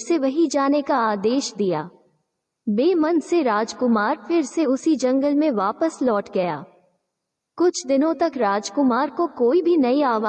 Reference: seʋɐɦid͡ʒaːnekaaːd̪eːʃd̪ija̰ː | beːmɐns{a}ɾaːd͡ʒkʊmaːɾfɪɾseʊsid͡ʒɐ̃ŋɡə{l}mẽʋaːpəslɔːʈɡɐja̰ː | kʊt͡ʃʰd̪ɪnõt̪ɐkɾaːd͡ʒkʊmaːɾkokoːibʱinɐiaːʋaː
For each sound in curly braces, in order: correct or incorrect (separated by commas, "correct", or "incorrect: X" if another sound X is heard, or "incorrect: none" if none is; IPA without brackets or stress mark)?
incorrect: e, correct